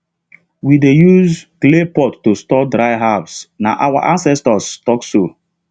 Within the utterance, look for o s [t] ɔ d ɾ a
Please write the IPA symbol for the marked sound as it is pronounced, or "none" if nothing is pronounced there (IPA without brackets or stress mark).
t